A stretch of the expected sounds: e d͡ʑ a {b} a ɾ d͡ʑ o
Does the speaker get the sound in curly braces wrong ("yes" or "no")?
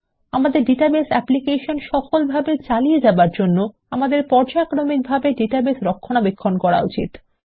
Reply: no